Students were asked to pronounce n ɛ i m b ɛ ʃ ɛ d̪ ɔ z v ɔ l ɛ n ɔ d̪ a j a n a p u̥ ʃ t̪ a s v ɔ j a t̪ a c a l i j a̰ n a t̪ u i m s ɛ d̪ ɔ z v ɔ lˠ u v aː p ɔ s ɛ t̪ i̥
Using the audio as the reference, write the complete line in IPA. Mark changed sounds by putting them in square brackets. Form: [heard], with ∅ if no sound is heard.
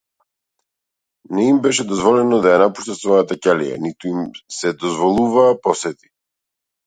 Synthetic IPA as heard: n ɛ i m b ɛ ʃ ɛ d̪ ɔ z v ɔ l ɛ n ɔ d̪ a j a n a p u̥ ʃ t̪ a s v ɔ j a t̪ a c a l i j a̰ n [i] t̪ u i m s ɛ d̪ ɔ z v ɔ lˠ u v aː p ɔ s ɛ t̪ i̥